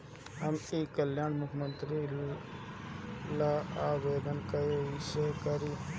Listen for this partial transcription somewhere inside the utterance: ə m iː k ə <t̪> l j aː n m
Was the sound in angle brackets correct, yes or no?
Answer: no